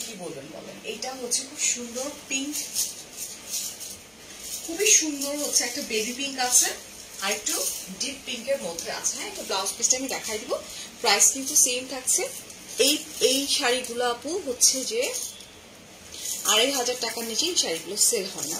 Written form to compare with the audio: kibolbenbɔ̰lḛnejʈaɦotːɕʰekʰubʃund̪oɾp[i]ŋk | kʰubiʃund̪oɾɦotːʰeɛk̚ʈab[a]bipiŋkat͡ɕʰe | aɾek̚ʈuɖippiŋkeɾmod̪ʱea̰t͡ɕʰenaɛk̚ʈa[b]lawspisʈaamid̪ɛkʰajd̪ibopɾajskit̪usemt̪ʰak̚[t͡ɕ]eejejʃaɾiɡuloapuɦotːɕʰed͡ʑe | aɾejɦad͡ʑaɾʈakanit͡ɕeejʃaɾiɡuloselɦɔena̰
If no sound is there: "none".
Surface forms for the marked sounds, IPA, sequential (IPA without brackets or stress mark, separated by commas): i, e, b, t͡ɕʰ